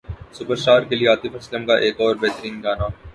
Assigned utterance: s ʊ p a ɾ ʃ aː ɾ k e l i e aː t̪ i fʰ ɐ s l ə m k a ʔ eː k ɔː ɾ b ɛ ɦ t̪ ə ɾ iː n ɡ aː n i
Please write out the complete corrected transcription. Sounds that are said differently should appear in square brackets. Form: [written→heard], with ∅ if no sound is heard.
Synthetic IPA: s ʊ p [a→ə] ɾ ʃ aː ɾ k e l i e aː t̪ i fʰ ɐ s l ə m k a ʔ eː k ɔː ɾ b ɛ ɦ t̪ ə ɾ iː n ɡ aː n [i→a]